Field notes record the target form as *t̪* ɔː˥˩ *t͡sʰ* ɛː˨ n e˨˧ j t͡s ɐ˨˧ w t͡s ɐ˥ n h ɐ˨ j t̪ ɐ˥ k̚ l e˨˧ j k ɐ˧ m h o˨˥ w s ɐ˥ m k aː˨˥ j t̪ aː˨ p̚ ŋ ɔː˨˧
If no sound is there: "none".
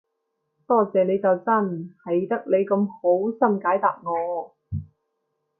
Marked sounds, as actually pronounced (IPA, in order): t̪, t͡s

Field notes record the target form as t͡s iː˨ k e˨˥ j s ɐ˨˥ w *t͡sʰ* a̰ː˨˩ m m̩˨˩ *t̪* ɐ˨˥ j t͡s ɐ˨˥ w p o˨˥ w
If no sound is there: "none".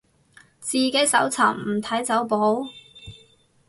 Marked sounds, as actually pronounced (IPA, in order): t͡sʰ, t̪ʰ

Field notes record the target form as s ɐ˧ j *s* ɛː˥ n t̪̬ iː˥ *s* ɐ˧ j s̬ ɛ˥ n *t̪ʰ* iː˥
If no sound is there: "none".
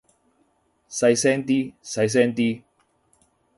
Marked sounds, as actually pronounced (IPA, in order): s, s, t̪

